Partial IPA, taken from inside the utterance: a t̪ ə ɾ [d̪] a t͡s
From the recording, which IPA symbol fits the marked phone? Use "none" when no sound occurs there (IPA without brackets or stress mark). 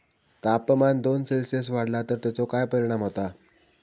t̪